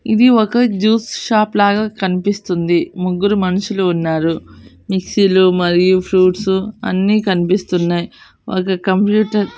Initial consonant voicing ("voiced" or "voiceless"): voiced